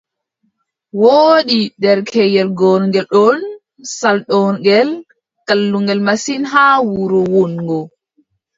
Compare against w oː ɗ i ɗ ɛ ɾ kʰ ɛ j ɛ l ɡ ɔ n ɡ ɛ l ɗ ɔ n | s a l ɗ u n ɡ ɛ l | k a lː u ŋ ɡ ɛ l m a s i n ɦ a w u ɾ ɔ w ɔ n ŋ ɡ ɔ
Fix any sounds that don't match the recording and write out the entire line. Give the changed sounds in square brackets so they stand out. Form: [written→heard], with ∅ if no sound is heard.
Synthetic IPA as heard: w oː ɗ i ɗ ɛ ɾ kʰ ɛ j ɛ l ɡ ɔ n ɡ ɛ l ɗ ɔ n | s a l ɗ [u→ɔ] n ɡ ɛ l | k a lː u ŋ ɡ ɛ l m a s i n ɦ a w u ɾ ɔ w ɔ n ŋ ɡ ɔ